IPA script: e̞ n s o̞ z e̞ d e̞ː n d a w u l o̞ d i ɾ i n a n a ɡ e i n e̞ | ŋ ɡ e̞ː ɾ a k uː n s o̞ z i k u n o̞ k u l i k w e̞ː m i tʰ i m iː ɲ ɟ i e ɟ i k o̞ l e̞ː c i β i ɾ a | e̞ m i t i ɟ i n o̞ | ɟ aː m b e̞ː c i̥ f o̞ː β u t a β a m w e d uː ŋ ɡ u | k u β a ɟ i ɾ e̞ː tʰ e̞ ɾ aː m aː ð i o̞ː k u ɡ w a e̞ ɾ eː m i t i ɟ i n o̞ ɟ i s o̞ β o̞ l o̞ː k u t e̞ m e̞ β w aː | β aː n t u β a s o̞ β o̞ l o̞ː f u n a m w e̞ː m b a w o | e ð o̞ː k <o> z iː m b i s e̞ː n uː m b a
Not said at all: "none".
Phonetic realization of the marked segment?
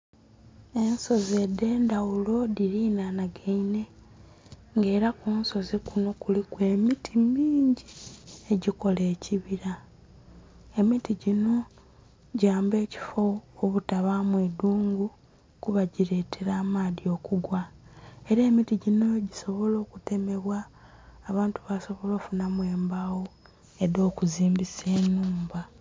u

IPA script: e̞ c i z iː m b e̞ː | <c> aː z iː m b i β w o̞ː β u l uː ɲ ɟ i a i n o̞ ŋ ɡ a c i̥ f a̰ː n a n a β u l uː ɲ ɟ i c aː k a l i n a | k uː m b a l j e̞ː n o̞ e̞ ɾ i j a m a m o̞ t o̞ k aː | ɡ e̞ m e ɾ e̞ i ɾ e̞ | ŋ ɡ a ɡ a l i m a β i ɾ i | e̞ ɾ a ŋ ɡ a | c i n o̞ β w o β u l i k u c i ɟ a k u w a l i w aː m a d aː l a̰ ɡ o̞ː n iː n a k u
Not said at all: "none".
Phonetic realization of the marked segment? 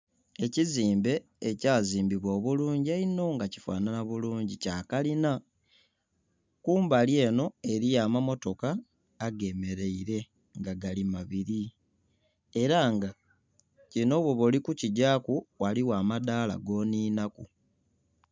c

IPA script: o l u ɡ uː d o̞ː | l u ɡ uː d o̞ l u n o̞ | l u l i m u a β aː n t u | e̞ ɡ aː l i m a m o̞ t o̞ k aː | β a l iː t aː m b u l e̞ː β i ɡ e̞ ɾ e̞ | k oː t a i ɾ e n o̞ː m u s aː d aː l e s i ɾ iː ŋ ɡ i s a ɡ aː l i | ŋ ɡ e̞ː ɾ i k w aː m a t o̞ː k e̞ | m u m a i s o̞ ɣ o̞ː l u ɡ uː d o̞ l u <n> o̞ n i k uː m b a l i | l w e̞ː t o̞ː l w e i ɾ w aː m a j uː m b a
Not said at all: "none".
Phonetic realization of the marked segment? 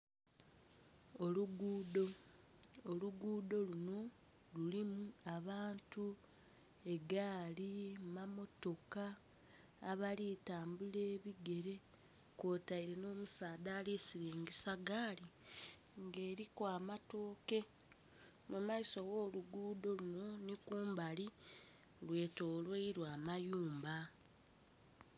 n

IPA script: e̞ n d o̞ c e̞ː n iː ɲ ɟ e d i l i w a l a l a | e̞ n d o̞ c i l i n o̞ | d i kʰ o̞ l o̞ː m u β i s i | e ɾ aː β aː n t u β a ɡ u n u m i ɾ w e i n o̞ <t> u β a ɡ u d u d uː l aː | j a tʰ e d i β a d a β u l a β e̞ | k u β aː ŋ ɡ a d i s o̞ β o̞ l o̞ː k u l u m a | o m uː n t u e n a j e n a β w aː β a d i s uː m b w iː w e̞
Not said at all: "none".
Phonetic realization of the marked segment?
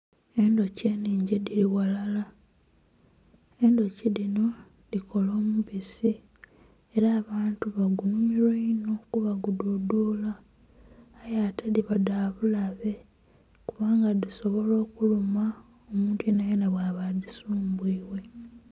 k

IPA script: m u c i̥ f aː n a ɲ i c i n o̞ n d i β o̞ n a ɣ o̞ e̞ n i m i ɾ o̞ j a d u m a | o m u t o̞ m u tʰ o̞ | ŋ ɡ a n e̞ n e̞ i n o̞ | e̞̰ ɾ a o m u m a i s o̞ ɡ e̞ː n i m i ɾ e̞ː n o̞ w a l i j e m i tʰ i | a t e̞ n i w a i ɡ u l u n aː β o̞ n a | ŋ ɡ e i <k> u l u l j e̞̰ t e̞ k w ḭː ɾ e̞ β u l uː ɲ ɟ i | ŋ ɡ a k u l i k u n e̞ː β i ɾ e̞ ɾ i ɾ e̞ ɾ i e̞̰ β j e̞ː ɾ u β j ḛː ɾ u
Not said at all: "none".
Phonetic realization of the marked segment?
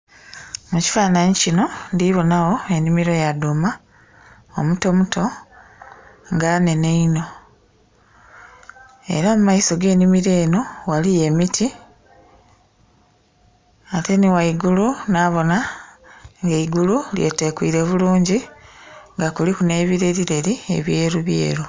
ɡ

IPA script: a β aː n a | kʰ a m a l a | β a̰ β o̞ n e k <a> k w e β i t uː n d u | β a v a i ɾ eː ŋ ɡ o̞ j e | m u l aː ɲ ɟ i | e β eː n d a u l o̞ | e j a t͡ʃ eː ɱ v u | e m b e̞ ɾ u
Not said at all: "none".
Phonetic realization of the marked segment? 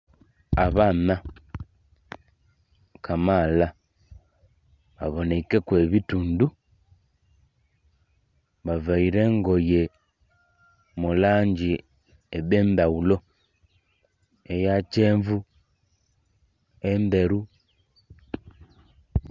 e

